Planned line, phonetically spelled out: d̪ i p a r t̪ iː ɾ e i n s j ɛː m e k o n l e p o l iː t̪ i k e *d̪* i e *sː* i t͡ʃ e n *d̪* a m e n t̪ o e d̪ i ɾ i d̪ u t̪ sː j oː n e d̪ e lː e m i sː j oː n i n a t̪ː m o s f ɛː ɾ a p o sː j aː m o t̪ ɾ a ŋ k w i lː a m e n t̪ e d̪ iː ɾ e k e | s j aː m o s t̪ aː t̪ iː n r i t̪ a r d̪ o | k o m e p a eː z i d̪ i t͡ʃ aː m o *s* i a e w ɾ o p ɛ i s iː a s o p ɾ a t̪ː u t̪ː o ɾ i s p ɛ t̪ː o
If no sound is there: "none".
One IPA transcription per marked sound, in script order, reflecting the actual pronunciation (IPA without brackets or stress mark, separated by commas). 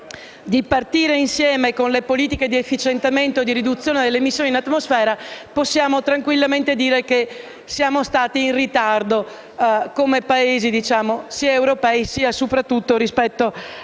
d̪, fː, t̪, s